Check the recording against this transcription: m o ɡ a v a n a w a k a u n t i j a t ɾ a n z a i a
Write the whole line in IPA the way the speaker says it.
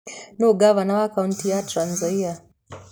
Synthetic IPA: n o ɡ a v a n a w a k a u n t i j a t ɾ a n z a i a

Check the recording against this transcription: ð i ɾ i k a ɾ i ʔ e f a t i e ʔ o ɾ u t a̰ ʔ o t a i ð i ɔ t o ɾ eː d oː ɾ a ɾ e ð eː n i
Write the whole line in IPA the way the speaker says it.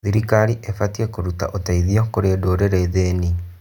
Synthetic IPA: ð i ɾ i k a ɾ i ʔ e f a t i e k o ɾ u t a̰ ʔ o t a i ð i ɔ k o ɾ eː d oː ɾ e ɾ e ð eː n i

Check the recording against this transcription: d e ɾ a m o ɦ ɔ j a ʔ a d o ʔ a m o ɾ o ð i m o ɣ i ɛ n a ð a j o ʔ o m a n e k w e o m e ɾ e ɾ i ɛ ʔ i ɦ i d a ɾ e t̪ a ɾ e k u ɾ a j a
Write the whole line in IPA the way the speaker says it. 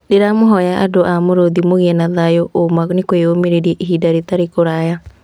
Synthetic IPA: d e ɾ a m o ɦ ɔ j a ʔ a d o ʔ a m o ɾ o ð i m o ɣ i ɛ n a ð a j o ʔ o m a n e k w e o m e ɾ e ɾ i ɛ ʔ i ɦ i d a ɾ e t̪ a ɾ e k o ɾ a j a

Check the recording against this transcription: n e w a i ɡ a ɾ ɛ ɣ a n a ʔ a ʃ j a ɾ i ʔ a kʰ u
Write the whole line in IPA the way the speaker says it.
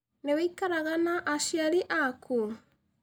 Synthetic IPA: n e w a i k a ɾ a ɣ a n a ʔ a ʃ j a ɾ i ʔ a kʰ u

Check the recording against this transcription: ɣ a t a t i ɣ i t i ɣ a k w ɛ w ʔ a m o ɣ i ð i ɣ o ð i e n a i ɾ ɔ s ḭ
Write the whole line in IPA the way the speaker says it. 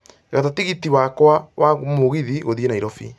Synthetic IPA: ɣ a t a t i ɣ i t i w a k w a w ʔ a m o ɣ i ð i ɣ o ð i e n a i ɾ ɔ f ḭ

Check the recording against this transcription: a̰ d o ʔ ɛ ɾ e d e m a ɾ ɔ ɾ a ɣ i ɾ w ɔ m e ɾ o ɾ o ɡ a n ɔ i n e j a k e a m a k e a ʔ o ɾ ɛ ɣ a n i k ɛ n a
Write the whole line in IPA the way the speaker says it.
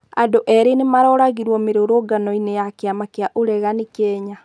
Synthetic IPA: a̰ d o ʔ ɛ ɾ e n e m a ɾ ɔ ɾ a ɣ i ɾ w ɔ m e ɾ o ɾ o ɡ a n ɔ i n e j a k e a m a k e a ʔ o ɾ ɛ ɣ a n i k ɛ ɲ a

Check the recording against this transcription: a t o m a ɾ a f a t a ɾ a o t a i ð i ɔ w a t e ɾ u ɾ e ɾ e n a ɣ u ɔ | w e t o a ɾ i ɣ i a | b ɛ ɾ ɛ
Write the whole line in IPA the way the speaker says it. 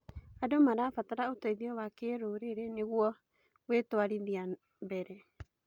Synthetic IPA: a d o m a ɾ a f a t a ɾ a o t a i ð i ɔ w a k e ɾ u ɾ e ɾ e n e ɣ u ɔ | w e t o a ɾ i ð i a | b ɛ ɾ ɛ

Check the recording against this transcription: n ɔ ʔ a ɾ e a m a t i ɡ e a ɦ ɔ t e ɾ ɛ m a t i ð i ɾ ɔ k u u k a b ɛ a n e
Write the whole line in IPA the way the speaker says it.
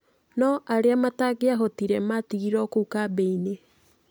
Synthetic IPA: n ɔ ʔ a ɾ e a m a t a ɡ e a ɦ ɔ t i ɾ ɛ m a t i ɣ i ɾ ɔ k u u k a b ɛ i n e

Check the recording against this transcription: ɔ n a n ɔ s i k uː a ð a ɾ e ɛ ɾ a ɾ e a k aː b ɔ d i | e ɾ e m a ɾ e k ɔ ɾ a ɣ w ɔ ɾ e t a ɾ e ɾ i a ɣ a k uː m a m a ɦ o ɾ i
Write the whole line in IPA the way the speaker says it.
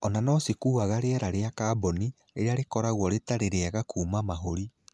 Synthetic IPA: ɔ n a n ɔ s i k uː a ɣ a ɾ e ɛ ɾ a ɾ e a k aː b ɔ n i | e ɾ e a ɾ e k ɔ ɾ a ɣ w ɔ ɾ e t a ɾ e ɾ e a ɣ a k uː m a m a ɦ o ɾ i

